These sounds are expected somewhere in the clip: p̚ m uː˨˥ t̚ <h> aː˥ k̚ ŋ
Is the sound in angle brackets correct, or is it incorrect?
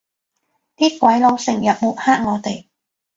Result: correct